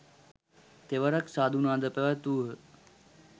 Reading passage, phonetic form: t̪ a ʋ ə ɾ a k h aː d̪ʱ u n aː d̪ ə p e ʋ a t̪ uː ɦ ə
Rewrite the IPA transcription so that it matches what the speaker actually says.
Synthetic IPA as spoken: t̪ e ʋ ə ɾ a k s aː d̪ʱ u n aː d̪ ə p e ʋ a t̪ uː ɦ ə

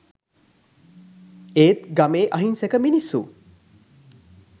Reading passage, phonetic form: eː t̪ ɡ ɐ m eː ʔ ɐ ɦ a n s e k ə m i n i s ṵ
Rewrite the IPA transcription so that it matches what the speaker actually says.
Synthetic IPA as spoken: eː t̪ ɡ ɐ m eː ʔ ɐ ɦ i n s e k ə m i n i s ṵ

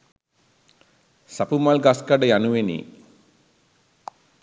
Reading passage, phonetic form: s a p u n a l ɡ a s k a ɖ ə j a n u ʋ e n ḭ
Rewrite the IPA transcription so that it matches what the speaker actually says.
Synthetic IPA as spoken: s a p u m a l ɡ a s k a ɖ ə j a n u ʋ e n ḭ

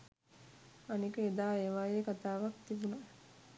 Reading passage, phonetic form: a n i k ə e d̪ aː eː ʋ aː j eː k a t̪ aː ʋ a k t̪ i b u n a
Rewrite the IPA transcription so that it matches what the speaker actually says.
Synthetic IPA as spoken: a n i k ə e d̪ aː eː ʋ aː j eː k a t̪ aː ʋ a k t̪ i b u n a

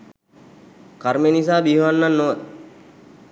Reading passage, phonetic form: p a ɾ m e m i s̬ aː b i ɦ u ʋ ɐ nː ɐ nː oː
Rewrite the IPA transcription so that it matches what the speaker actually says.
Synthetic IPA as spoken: k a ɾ m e n i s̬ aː b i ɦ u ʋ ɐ nː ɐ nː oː

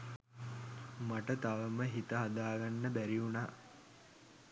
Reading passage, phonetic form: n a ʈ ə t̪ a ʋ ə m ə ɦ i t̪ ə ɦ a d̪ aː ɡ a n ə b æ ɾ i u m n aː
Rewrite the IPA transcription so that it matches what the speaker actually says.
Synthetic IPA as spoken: m a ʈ ə t̪ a ʋ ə m ə ɦ i t̪ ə ɦ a d̪ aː ɡ a nː ə b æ ɾ i u n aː

